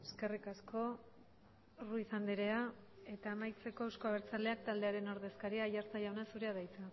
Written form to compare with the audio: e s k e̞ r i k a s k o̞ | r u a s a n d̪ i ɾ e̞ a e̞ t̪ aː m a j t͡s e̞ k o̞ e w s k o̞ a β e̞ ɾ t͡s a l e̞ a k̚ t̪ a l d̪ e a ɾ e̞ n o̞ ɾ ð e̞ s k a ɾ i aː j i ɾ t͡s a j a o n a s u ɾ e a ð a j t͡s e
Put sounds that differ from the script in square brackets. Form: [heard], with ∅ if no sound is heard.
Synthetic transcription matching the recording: e s k e̞ r i k a s k o̞ | r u [i] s a n d̪ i ɾ e̞ a e̞ t̪ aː m a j t͡s e̞ k o̞ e w s k o̞ a β e̞ ɾ t͡s a l e̞ a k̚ t̪ a l d̪ e a ɾ e̞ n o̞ ɾ ð e̞ s k a ɾ i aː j [a] ɾ t͡s a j a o n a s u ɾ e a ð a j t͡s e